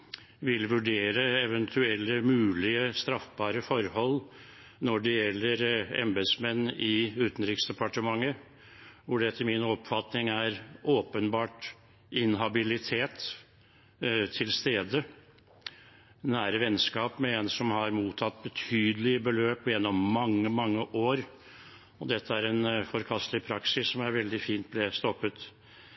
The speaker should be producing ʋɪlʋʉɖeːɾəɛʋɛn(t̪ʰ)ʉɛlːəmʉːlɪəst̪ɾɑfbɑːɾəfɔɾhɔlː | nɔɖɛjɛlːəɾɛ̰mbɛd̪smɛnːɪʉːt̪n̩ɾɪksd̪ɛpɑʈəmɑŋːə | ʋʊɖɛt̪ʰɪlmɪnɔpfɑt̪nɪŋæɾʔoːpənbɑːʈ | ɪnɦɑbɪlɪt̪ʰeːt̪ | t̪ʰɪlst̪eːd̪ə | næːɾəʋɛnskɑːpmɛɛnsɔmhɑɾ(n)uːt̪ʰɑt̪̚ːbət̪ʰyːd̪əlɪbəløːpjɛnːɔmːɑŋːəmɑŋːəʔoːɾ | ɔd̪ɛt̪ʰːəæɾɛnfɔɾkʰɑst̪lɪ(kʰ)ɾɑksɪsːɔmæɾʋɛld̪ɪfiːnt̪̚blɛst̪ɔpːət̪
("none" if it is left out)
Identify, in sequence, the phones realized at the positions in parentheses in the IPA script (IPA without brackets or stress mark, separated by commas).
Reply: t̪ʰ, m, pʰ